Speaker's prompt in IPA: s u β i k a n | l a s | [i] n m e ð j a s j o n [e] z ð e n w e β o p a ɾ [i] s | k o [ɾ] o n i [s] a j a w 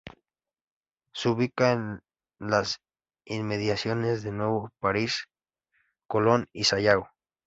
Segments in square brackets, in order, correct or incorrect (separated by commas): correct, correct, correct, incorrect, correct